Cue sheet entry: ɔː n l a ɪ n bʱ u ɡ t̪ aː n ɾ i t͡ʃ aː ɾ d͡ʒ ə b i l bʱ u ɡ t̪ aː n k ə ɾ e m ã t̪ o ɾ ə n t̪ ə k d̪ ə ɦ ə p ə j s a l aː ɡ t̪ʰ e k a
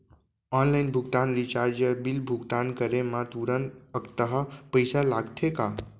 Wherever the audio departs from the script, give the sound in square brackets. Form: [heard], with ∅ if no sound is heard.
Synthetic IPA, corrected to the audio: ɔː n l a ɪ n bʱ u ɡ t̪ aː n ɾ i t͡ʃ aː ɾ d͡ʒ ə b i l bʱ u ɡ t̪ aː n k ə ɾ e m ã t̪ [u] ɾ ə n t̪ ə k [t̪] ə ɦ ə p ə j s a l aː ɡ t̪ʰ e k a